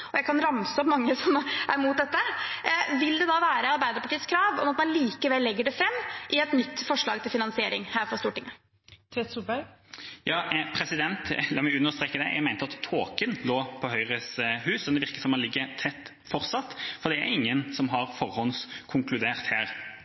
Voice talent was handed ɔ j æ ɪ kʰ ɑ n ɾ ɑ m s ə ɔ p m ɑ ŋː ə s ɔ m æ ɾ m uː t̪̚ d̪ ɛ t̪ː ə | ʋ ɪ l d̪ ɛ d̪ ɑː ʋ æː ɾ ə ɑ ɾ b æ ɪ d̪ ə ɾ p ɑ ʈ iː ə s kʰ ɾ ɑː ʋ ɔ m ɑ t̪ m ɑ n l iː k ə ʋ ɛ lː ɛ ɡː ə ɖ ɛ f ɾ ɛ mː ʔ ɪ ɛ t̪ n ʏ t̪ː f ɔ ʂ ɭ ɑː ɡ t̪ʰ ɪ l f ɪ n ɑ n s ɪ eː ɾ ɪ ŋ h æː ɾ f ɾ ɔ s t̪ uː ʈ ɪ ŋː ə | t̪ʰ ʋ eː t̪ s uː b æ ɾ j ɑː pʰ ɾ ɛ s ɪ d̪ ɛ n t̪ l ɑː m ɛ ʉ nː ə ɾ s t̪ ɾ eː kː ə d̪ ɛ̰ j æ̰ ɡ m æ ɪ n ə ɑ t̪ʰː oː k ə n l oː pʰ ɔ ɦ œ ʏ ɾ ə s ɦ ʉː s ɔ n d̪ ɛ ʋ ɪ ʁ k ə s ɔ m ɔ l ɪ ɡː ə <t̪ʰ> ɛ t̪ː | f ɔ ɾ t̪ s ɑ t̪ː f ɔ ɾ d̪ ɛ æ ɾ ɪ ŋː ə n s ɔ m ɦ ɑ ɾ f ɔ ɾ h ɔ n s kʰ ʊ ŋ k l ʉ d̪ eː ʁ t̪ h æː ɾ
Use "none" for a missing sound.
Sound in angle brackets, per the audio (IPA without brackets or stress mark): t̪ʰ